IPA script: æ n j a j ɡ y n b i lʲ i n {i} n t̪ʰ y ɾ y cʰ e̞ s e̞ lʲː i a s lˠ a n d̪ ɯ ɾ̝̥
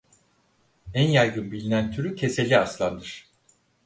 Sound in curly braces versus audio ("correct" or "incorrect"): incorrect